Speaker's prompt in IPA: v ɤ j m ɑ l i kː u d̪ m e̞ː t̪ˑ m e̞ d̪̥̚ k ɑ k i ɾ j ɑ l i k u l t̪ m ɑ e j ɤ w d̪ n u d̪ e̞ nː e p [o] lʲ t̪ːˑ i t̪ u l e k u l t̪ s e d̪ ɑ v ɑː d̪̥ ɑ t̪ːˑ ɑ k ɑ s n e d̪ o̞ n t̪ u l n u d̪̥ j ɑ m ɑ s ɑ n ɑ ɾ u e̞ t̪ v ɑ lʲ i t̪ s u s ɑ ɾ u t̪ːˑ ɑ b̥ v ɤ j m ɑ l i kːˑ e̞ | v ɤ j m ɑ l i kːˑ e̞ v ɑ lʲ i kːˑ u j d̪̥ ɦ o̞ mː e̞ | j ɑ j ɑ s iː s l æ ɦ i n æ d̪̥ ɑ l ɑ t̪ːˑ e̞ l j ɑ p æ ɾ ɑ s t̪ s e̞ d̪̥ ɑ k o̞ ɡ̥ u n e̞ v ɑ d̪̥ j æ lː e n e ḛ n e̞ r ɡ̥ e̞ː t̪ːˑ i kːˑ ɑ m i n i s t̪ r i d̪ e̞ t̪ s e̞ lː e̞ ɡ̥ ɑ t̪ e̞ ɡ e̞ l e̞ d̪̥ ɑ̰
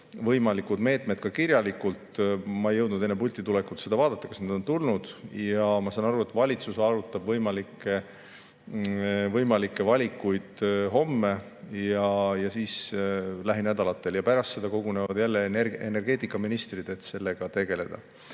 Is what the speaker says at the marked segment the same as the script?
no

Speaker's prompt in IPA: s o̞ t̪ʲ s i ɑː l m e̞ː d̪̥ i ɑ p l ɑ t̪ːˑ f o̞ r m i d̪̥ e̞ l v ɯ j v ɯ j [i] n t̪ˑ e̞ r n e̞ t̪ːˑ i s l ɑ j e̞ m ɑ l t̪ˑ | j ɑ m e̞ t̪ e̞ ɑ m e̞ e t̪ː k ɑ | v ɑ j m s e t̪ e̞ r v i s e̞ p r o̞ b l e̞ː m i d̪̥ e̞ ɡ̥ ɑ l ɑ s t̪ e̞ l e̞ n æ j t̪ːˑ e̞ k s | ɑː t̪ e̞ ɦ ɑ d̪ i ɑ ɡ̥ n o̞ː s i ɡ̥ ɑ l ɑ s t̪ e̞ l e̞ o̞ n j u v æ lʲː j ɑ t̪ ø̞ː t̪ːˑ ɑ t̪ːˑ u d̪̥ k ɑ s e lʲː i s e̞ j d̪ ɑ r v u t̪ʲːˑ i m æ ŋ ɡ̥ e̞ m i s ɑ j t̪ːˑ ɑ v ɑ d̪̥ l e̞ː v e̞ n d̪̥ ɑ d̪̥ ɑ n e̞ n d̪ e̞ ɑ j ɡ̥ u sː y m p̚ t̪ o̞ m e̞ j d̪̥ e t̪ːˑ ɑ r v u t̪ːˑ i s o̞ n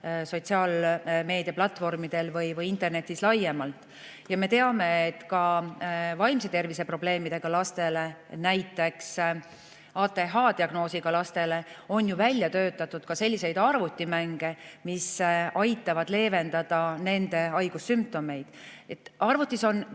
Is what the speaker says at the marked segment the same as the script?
yes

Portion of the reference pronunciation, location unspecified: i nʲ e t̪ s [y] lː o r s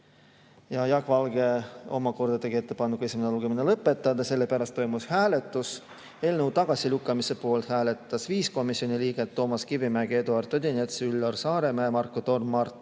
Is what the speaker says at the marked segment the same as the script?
yes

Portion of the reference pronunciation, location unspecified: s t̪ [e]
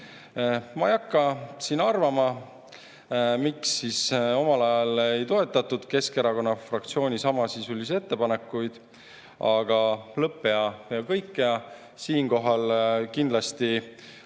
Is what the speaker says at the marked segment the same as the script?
no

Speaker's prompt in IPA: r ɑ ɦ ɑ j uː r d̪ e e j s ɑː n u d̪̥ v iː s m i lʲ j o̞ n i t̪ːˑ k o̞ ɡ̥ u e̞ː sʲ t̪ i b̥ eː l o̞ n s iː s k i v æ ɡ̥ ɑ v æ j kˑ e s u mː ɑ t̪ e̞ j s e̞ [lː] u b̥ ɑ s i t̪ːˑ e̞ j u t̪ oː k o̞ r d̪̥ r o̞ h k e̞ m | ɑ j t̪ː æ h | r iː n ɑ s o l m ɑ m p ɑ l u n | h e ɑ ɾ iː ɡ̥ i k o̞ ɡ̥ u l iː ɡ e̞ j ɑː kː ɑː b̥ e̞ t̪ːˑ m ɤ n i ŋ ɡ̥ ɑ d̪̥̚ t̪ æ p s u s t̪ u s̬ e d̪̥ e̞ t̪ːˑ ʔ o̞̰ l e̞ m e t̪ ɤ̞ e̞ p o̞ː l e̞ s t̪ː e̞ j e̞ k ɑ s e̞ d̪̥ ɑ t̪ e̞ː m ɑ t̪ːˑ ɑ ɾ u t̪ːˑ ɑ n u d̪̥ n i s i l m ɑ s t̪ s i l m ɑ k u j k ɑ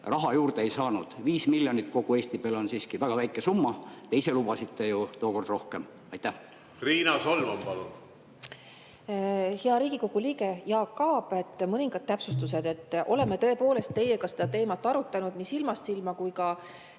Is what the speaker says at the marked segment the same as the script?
no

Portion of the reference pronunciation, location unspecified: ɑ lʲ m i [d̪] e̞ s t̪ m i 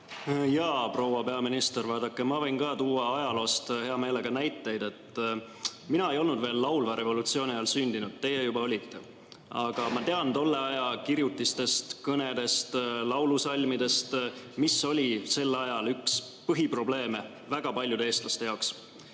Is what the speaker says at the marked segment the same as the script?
yes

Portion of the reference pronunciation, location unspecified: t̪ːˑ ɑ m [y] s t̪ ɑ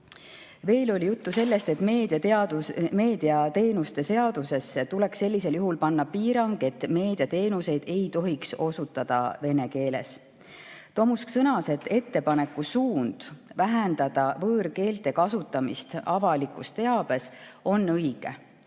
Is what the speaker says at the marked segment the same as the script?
no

